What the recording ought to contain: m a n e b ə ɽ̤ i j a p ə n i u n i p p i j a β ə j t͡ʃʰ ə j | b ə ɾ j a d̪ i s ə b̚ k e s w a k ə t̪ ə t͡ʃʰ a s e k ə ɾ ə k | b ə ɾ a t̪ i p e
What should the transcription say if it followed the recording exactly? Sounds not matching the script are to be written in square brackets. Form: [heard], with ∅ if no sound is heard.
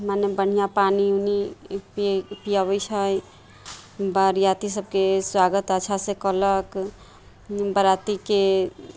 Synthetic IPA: m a n e b ə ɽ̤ i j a p [a] n i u n i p p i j a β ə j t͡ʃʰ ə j | b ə ɾ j a [t̪] i s ə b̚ k e s w a [ɡ] ə t̪ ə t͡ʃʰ a s e k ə [l] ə k | b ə ɾ a t̪ i [k] e